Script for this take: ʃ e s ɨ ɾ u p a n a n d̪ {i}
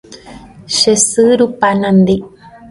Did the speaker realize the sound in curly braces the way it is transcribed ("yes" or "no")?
yes